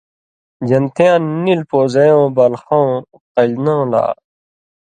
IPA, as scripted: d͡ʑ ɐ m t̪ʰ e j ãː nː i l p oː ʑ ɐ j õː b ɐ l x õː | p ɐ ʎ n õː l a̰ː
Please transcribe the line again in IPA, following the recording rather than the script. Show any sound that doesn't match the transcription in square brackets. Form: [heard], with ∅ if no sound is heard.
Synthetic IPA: d͡ʑ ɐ [n] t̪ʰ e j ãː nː i l p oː [z] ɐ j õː b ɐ l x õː | [q] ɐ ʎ n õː l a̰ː